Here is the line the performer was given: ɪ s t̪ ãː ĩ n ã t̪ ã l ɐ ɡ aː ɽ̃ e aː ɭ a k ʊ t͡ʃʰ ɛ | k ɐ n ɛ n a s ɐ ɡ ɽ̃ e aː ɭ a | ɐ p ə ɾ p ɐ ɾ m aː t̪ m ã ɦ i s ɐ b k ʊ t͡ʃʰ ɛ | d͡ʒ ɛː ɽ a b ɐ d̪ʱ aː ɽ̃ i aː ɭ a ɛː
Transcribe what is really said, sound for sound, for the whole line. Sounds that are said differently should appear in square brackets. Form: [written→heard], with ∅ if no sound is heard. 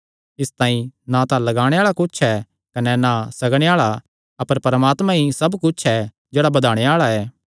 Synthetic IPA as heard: ɪ s t̪ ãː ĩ n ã t̪ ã l ɐ ɡ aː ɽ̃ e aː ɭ a k ʊ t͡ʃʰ ɛ | k ɐ n ɛ n a s ɐ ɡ ɽ̃ e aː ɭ a | ɐ p ə ɾ p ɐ ɾ m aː t̪ m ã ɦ i s ɐ b k ʊ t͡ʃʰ ɛ | d͡ʒ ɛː ɽ a b ɐ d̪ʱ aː ɽ̃ [i→e] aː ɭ a ɛː